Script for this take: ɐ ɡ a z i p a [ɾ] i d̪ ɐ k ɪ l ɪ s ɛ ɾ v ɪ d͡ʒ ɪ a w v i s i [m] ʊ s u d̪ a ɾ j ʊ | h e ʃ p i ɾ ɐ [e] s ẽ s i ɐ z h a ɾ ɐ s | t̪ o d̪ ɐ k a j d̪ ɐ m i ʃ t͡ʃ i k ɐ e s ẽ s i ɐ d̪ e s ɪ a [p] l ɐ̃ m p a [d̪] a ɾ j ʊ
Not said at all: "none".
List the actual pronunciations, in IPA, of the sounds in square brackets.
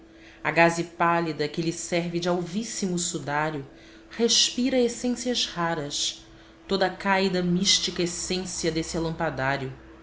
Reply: l, m, e, none, d̪

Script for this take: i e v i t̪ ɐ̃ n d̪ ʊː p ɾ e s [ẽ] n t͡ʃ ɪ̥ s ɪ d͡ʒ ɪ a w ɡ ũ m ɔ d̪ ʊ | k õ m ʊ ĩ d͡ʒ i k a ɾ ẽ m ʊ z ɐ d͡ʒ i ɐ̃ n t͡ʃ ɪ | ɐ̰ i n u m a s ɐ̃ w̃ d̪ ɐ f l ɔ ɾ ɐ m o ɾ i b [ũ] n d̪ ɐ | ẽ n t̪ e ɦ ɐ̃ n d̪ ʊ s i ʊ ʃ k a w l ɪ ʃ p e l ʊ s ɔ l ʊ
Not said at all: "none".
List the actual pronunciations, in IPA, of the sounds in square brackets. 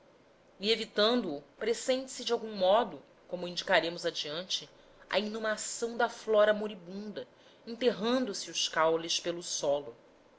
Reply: ẽ, ũ

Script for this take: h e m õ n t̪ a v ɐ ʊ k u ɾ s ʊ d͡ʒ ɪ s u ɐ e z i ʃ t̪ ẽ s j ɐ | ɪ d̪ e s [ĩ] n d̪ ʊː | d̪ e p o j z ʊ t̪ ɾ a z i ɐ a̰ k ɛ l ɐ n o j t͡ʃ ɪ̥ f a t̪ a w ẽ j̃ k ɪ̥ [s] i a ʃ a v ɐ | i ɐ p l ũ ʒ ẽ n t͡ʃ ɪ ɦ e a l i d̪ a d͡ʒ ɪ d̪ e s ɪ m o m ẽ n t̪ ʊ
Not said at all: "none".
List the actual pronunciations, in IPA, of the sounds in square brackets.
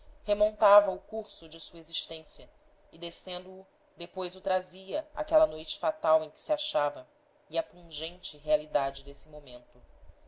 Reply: ẽ, s

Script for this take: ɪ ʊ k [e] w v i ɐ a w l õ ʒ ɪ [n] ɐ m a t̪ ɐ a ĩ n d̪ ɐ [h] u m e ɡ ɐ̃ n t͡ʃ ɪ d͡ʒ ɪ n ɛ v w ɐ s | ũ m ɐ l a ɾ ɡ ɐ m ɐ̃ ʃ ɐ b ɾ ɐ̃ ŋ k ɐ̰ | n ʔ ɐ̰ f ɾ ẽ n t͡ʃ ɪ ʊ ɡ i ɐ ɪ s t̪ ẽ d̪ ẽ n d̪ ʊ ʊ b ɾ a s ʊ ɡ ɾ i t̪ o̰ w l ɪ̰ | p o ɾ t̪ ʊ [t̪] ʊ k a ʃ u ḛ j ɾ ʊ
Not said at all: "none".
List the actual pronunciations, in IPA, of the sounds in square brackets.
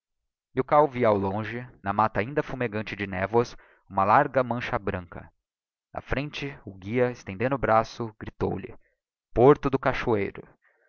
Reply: a, n, f, d̪

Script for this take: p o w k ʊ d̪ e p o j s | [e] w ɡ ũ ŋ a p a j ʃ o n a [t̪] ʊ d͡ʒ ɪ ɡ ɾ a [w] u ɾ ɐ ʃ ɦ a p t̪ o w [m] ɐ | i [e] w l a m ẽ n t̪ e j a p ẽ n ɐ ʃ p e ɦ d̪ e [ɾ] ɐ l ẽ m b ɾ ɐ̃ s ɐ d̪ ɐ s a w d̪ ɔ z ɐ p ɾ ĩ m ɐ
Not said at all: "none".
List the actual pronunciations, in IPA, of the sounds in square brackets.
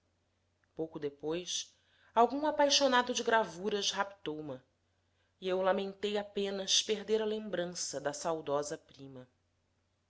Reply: a, d̪, v, m, e, ɾ

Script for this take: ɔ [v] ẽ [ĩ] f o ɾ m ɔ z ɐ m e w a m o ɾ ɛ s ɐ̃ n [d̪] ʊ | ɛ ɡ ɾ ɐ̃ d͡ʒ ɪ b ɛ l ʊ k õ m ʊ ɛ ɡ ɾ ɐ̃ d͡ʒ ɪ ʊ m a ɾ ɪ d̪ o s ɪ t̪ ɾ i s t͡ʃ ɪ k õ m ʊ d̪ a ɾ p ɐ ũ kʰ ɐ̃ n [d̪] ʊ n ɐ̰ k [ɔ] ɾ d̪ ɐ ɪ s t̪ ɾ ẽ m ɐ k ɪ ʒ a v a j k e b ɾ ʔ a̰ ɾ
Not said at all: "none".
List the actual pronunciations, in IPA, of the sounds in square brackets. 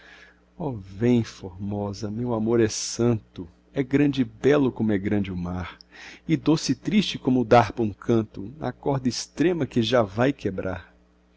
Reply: v, j̃, t̪, t̪, ɔ

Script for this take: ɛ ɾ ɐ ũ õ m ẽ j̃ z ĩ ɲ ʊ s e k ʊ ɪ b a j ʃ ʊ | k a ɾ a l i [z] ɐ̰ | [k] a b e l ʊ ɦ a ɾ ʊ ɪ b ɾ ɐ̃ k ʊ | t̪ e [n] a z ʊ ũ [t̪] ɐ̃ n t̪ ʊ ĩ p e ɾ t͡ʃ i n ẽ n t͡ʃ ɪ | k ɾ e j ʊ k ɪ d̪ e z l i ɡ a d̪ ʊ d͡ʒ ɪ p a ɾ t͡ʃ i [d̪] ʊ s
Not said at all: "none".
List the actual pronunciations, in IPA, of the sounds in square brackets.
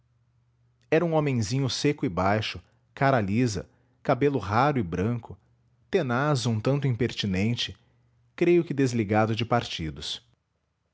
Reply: z, k, n, t̪, d̪

